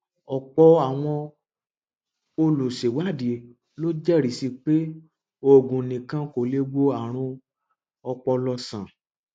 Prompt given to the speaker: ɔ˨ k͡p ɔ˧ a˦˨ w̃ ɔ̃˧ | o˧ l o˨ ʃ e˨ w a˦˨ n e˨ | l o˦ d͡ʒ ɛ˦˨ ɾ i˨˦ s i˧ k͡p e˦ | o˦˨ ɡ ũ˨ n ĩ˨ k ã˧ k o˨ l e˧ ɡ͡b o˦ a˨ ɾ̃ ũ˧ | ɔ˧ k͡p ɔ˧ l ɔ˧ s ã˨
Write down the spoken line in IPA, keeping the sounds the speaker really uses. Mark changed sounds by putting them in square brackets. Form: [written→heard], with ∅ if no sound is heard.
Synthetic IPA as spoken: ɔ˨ k͡p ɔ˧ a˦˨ w̃ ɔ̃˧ | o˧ l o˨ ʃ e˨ w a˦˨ [n→d] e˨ | l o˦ d͡ʒ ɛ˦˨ ɾ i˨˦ s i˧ k͡p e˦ | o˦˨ ɡ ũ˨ n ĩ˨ k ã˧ k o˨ l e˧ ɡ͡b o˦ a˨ ɾ̃ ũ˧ | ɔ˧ k͡p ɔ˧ l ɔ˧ s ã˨

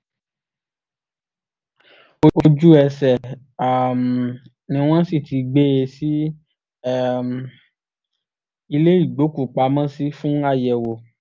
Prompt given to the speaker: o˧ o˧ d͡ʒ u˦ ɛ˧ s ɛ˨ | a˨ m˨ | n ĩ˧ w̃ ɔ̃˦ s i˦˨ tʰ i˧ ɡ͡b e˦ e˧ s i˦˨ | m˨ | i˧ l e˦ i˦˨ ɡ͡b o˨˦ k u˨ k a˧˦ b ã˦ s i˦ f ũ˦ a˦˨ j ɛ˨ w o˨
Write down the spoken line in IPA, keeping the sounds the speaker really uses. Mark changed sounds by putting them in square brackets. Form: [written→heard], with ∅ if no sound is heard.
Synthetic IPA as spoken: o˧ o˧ d͡ʒ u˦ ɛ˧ s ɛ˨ | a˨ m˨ | n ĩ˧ w̃ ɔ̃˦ s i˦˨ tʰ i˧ ɡ͡b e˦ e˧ s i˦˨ | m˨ | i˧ l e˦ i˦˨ ɡ͡b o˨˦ k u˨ [k→k͡p] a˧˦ [b→m] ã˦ s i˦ f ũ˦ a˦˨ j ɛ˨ w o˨

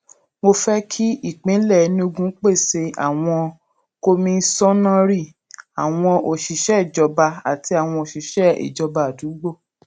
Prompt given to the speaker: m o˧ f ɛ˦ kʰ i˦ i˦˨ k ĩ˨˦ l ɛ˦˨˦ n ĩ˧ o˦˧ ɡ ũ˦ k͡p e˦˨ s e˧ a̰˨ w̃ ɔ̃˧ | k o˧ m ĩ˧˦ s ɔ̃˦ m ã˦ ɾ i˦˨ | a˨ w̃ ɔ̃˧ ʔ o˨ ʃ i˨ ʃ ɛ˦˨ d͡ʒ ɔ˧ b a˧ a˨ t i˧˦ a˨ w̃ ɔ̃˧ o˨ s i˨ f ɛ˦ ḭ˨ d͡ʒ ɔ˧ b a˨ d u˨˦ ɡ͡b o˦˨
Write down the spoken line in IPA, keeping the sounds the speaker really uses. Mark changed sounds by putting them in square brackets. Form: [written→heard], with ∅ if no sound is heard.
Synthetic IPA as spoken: m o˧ f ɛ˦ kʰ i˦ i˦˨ [k→k͡p] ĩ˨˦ l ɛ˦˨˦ n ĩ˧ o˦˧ ɡ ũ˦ k͡p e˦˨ s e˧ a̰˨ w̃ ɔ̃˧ | k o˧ m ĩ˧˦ s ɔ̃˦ [m→n] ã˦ ɾ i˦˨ | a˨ w̃ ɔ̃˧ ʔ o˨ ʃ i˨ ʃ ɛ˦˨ d͡ʒ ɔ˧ b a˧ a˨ t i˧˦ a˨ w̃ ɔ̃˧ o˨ [s→ʃ] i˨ [f→ʃ] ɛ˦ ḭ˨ d͡ʒ ɔ˧ b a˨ d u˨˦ ɡ͡b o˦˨

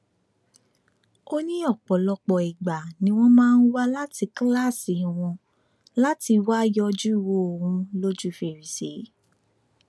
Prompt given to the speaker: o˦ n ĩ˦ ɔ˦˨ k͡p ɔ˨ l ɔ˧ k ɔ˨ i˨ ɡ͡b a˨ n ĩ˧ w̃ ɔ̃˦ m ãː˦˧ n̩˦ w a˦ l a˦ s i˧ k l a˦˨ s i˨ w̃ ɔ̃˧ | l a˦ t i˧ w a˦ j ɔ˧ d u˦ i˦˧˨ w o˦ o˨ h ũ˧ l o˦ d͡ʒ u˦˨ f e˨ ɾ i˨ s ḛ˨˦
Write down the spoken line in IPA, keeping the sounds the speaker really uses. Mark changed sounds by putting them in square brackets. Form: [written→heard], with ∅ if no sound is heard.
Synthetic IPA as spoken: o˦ n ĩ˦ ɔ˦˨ k͡p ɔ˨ l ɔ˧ [k→k͡p] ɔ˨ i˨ ɡ͡b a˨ n ĩ˧ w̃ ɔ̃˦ m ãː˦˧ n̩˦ w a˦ l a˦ [s→t] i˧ k l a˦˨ s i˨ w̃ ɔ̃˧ | l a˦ t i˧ w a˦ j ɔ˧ [d→d͡ʒ] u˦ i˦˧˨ w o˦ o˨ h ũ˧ l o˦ d͡ʒ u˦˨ f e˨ ɾ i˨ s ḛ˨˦

